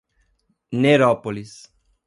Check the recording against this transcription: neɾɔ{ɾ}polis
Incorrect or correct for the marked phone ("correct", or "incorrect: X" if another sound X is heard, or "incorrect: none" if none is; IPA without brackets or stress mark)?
incorrect: none